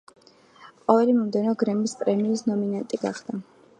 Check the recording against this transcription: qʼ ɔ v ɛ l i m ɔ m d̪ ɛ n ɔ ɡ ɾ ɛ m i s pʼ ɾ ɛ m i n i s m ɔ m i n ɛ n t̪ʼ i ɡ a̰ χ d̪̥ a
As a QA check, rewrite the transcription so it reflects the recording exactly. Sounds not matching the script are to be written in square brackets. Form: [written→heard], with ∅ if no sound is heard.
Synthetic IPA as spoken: qʼ ɔ v ɛ l i m ɔ m d̪ ɛ n ɔ ɡ ɾ ɛ m i s pʼ ɾ ɛ m i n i s [m→n] ɔ m i n [ɛ→a] n t̪ʼ i ɡ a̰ χ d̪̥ a